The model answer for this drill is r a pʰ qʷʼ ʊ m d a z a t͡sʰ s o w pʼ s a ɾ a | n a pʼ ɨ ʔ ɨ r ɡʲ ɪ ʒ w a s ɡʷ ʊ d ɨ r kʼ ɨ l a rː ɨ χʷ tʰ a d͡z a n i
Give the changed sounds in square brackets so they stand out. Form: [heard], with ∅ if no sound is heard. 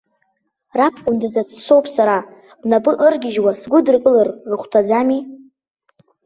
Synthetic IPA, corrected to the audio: r a pʰ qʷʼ ʊ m d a z a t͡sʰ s o w pʼ s a ɾ a | n a pʼ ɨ ʔ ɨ r ɡʲ ɪ ʒ w a s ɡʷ ʊ d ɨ r kʼ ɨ l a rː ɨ χʷ tʰ a d͡z a [m] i

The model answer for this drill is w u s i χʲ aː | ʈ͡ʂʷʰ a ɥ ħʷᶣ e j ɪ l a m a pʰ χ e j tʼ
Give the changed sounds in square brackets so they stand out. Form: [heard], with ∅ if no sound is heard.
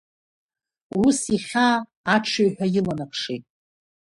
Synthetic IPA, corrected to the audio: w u s i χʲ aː | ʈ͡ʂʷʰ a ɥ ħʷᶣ [a] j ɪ l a [n] a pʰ [ʂ] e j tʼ

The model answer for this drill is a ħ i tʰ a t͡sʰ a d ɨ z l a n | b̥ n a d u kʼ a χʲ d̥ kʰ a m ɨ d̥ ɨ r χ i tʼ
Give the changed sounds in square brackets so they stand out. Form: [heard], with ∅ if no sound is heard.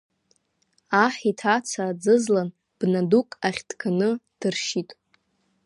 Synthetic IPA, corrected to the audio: a ħ i tʰ a t͡sʰ a [d͡z] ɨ z l a n | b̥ n a d u kʼ a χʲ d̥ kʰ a [n] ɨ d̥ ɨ r [ʃ] i tʼ

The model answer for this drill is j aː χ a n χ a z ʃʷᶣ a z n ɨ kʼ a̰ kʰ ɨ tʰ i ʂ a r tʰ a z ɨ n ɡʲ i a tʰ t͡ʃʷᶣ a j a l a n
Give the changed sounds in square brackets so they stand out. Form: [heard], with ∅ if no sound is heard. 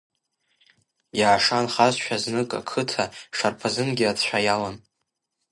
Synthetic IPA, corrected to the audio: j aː [ʂ] a n χ a z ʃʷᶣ a z n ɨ kʼ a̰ kʰ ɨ tʰ [a] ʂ a r [pʰ] a z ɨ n ɡʲ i a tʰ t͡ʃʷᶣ a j a l a n

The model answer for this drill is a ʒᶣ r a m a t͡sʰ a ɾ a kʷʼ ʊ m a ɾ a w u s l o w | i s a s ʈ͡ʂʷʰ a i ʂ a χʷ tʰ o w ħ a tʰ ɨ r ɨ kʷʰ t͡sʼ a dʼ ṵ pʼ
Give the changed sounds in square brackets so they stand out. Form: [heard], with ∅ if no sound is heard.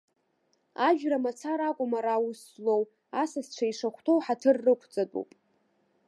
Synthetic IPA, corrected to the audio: a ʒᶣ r a m a t͡sʰ a ɾ a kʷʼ ʊ m a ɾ a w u s l o w | [a] s a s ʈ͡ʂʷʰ a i ʂ a χʷ tʰ o w ħ a tʰ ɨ [rː] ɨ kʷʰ t͡sʼ a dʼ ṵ pʼ

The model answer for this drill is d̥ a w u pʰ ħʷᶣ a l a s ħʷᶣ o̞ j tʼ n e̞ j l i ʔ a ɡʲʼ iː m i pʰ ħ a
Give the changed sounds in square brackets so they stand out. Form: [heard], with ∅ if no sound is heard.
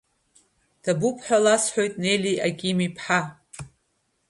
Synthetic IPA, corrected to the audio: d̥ a [b] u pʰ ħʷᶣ a l a s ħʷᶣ o̞ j tʼ n e̞ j l i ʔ a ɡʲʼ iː m i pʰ ħ a

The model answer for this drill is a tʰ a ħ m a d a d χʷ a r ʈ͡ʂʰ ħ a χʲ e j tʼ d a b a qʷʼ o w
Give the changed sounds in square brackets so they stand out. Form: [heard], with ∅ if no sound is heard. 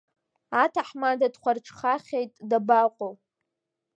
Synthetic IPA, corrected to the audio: a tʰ a ħ m a d a d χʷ a r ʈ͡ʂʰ [χ] a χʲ e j tʼ d a b a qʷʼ o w

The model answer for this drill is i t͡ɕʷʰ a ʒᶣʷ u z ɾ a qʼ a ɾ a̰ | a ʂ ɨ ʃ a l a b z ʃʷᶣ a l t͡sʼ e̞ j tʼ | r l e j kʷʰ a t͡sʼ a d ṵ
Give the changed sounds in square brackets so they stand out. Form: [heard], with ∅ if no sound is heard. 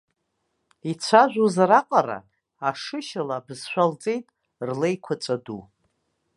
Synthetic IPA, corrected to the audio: i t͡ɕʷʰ a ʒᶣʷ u z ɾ a qʼ a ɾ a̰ | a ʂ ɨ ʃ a l a b z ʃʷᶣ a l t͡sʼ e̞ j tʼ | r l e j kʷʰ a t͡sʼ a d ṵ

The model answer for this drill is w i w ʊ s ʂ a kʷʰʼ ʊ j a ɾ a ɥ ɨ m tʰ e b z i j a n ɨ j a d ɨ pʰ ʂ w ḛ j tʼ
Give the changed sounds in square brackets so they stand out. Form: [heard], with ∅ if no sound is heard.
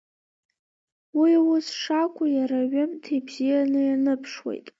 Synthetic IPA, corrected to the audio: w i w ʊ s ʂ a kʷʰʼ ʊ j a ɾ a ɥ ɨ m tʰ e b z i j a n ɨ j a [n] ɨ pʰ ʂ w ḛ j tʼ

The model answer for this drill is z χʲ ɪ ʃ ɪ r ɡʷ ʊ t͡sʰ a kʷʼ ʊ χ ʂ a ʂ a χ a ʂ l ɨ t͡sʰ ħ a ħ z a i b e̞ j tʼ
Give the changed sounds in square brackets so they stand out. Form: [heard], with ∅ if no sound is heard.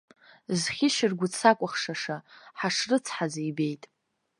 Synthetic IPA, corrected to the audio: z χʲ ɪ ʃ ɪ r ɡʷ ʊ t͡sʰ a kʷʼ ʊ χ ʂ a ʂ a [ħ] a ʂ [r] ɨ t͡sʰ ħ a [∅] z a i b e̞ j tʼ

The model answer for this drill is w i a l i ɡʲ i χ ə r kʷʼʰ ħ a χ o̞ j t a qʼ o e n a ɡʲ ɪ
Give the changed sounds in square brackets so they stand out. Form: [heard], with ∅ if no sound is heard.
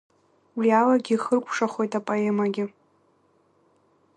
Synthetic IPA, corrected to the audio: w i a l [a] ɡʲ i χ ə r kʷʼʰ [ʂ] a χ o̞ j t a [pʼ] o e [m] a ɡʲ ɪ

